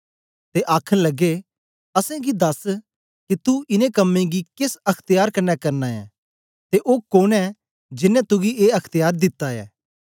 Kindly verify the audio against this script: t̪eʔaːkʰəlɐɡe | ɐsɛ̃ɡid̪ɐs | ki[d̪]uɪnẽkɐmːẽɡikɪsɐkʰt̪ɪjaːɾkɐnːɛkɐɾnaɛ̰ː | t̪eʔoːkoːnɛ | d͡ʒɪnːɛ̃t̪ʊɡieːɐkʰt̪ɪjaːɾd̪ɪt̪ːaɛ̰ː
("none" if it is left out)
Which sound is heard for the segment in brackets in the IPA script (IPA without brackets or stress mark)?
t̪